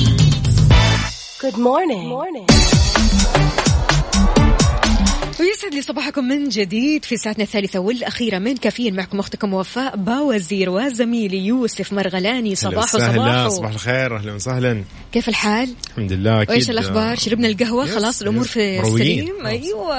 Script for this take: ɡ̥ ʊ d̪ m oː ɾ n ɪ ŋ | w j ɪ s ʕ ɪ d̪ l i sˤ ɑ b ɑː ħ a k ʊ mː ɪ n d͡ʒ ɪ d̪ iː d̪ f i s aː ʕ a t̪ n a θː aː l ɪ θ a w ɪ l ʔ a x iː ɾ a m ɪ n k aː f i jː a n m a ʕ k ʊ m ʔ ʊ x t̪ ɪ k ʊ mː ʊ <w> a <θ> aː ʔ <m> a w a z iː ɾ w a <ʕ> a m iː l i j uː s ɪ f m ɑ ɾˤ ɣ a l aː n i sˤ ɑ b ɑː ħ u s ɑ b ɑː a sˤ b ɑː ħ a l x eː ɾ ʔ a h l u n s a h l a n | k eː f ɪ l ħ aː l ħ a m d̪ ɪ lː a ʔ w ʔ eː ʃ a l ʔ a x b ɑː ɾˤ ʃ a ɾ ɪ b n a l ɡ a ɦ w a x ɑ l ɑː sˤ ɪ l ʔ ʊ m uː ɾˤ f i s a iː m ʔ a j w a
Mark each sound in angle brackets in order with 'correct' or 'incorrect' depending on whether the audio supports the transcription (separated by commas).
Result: correct, incorrect, incorrect, incorrect